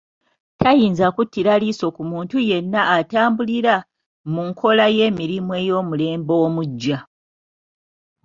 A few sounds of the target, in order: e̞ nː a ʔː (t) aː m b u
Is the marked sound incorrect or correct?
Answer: correct